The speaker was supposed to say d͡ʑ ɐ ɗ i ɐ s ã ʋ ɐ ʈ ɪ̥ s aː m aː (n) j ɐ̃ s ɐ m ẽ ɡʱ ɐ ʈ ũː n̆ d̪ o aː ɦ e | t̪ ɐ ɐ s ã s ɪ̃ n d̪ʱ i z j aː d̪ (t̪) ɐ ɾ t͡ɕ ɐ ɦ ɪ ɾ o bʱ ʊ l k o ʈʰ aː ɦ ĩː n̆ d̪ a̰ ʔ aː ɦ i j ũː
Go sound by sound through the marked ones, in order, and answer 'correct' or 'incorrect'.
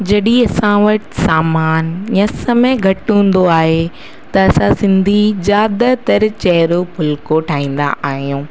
correct, correct

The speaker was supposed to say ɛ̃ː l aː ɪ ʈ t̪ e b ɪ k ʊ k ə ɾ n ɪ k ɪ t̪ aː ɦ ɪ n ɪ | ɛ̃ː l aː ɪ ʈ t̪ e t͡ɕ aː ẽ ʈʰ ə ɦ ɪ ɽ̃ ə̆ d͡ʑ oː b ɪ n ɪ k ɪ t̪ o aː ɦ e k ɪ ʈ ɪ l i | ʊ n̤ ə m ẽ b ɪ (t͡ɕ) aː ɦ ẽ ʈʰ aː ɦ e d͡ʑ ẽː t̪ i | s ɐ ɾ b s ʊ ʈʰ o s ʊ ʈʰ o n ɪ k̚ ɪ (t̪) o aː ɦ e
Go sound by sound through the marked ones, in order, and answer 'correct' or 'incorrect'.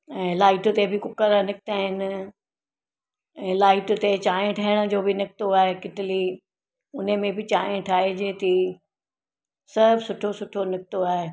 correct, correct

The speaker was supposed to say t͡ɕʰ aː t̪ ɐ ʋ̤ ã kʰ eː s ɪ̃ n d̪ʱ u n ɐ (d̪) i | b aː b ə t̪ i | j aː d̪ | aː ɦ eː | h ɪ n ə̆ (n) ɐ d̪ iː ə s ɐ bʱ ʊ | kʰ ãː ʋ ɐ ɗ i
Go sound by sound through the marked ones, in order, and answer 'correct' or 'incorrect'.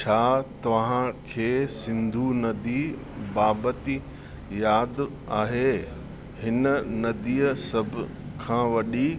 correct, correct

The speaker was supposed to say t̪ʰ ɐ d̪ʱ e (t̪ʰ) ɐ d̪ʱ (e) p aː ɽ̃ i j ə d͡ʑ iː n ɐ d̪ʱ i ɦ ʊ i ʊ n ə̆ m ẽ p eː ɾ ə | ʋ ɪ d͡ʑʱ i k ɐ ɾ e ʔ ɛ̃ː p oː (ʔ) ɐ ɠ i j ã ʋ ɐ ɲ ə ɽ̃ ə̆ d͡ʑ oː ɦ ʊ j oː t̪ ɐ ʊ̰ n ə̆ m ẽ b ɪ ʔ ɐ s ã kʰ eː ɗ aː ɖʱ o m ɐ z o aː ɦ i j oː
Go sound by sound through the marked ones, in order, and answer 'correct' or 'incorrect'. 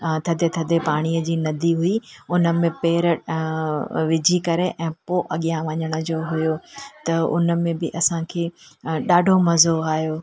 correct, correct, correct

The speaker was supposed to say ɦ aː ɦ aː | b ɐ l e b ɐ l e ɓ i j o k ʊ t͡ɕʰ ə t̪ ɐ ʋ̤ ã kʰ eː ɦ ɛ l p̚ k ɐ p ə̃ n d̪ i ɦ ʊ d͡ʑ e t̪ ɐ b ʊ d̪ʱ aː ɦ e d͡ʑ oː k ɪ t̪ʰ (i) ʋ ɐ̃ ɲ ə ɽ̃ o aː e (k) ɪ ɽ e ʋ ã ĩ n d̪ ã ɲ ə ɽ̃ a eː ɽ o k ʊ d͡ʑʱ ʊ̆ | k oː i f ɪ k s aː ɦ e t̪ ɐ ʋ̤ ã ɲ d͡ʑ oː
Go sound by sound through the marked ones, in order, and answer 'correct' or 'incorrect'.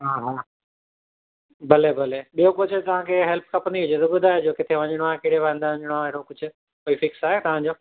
incorrect: e, correct

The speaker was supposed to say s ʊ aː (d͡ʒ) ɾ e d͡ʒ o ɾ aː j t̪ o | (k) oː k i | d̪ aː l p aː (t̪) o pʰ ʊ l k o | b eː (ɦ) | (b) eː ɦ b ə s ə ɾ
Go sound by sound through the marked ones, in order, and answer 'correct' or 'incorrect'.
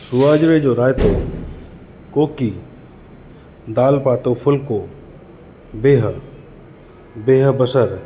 correct, correct, correct, correct, correct

